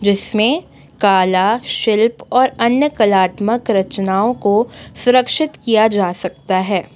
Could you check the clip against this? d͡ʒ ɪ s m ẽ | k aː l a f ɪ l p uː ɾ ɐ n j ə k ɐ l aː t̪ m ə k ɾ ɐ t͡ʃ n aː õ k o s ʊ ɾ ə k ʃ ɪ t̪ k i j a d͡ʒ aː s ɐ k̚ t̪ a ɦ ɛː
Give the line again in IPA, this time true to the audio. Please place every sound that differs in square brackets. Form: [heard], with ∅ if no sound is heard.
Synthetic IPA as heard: d͡ʒ ɪ s m ẽ | k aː l a [ʃ] ɪ l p [ɔː] ɾ ɐ n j ə k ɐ l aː t̪ m ə k ɾ ɐ t͡ʃ n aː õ k o s ʊ ɾ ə k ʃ ɪ t̪ k i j a d͡ʒ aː s ɐ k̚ t̪ a ɦ ɛː

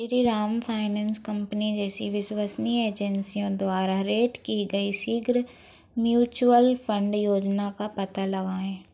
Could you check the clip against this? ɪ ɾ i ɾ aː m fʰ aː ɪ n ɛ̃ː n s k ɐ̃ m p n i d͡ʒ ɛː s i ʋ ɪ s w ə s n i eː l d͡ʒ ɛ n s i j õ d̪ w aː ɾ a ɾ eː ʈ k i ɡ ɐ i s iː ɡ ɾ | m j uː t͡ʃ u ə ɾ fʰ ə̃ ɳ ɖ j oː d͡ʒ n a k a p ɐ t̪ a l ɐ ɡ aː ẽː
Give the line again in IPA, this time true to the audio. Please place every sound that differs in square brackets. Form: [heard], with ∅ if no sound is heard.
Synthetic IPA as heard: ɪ ɾ i ɾ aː m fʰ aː ɪ n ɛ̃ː n s k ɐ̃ m p n i d͡ʒ ɛː s i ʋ ɪ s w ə s n i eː [∅] d͡ʒ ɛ n s i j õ d̪ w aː ɾ a ɾ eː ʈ k i ɡ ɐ i s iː ɡ ɾ | m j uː t͡ʃ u ə [l] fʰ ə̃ ɳ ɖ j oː d͡ʒ n a k a p ɐ t̪ a l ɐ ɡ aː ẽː

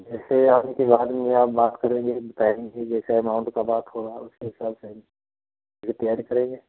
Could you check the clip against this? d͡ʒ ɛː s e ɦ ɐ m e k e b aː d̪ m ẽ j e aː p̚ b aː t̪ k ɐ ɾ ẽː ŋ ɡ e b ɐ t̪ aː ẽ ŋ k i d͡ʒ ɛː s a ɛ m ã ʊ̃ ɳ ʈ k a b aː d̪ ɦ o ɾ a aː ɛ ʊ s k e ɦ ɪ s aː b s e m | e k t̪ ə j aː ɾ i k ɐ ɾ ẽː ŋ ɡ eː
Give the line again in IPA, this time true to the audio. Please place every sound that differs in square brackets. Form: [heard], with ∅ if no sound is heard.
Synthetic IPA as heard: d͡ʒ ɛː s e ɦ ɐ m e k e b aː d̪ m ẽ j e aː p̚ b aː t̪ k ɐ ɾ ẽː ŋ ɡ e b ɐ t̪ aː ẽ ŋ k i d͡ʒ ɛː s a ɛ m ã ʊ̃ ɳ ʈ k a b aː [t̪] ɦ o ɾ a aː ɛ ʊ s k e ɦ ɪ s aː b s e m | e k t̪ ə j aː ɾ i k ɐ ɾ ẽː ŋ ɡ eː

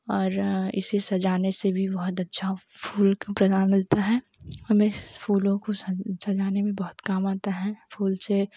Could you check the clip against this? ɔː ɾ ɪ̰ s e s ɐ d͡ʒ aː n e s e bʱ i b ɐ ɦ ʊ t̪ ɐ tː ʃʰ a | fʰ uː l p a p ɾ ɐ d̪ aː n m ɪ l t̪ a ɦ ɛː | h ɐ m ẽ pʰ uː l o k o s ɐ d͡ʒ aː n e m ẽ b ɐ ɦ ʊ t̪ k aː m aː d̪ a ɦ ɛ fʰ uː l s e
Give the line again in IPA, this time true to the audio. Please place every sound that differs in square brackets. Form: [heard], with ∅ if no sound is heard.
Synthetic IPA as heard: ɔː ɾ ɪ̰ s e s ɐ d͡ʒ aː n e s e bʱ i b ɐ ɦ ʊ t̪ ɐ tː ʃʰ a | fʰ uː l [k] a p ɾ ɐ d̪ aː n m ɪ l t̪ a ɦ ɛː | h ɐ m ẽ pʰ uː l [õ] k o s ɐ d͡ʒ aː n e m ẽ b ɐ ɦ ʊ t̪ k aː m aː [t̪] a ɦ ɛ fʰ uː l s e

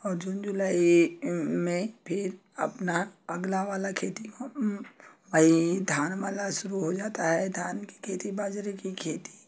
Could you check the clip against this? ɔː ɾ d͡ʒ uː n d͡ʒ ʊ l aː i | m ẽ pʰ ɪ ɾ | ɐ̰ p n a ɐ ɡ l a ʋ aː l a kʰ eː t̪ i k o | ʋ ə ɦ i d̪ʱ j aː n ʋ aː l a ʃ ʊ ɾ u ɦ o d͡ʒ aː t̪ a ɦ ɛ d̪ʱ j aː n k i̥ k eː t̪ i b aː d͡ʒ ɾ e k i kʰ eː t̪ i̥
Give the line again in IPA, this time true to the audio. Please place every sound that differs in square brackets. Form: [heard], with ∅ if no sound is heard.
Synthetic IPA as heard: ɔː ɾ d͡ʒ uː n d͡ʒ ʊ l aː i | m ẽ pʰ ɪ ɾ | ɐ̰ p n a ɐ ɡ l a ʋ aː l a kʰ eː t̪ i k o | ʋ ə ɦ i d̪ʱ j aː n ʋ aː l a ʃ ʊ ɾ u ɦ o d͡ʒ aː t̪ a ɦ ɛ d̪ʱ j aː n k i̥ [kʰ] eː t̪ i b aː d͡ʒ ɾ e k i kʰ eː t̪ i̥

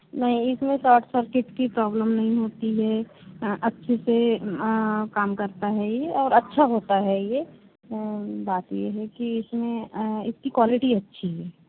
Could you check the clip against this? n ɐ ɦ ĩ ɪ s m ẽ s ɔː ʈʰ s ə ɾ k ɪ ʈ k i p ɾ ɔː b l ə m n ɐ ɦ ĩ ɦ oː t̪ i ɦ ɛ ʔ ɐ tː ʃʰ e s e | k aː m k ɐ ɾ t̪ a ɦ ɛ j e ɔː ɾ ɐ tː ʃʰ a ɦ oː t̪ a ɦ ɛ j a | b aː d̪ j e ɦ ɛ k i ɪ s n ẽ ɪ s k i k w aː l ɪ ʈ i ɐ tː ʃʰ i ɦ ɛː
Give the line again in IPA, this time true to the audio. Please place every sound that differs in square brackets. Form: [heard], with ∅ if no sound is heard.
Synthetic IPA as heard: n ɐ ɦ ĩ ɪ s m ẽ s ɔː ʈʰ s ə ɾ k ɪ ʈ k i p ɾ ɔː b l ə m n ɐ ɦ ĩ ɦ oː t̪ i ɦ ɛ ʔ ɐ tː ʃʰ e s e | k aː m k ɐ ɾ t̪ a ɦ ɛ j e ɔː ɾ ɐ tː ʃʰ a ɦ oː t̪ a ɦ ɛ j [e] | b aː [t̪] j e ɦ ɛ k i ɪ s [m] ẽ ɪ s k i k w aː l ɪ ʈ i ɐ tː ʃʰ i ɦ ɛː

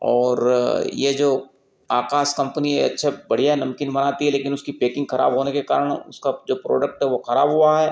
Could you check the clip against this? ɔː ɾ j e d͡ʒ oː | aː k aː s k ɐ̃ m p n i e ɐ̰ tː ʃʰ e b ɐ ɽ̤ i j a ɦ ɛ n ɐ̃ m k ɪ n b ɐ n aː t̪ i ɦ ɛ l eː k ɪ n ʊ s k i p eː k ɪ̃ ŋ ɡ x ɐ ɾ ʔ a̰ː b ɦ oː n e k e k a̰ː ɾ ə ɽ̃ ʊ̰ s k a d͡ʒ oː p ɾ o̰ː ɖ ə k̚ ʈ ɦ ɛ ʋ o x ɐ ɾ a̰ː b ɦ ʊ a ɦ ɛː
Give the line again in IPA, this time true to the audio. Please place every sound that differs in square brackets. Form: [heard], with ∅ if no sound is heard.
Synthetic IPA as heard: ɔː ɾ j e d͡ʒ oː | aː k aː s k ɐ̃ m p n i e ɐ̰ tː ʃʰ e b ɐ ɽ̤ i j a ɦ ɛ n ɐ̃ m k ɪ n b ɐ n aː t̪ i ɦ ɛ l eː k ɪ n ʊ s k i p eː k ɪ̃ ŋ ɡ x ɐ ɾ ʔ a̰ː b ɦ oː n e k e k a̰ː ɾ ə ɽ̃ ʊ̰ s k a d͡ʒ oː p ɾ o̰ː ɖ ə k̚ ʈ ɦ ɛ ʋ o x ɐ ɾ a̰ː b ɦ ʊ a ɦ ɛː

